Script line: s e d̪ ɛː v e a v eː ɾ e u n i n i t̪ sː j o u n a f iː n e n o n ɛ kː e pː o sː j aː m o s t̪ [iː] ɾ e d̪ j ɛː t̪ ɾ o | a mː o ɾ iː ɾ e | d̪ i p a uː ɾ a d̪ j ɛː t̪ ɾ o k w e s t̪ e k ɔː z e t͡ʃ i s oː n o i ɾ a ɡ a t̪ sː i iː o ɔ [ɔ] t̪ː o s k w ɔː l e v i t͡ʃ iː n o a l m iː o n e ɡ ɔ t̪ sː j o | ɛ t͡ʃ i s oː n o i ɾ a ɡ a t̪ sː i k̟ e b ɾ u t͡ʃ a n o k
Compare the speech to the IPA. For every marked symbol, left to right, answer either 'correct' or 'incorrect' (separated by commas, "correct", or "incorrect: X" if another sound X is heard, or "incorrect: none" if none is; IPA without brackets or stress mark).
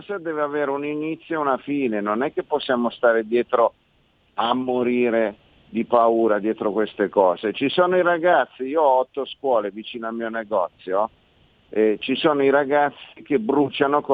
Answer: incorrect: aː, correct